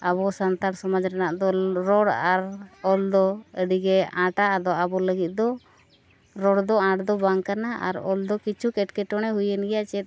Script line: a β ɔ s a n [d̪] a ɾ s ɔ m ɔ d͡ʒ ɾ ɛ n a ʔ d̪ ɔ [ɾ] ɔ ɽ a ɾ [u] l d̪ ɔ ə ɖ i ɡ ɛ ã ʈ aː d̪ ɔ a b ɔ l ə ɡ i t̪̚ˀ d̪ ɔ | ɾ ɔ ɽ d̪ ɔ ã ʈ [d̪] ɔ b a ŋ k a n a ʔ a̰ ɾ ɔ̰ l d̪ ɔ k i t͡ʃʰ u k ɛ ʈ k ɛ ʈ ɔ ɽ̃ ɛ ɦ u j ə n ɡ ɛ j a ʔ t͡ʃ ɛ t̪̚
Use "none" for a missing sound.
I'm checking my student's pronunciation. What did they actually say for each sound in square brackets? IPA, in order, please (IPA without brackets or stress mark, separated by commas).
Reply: t̪, ɾ, ɔ, d̪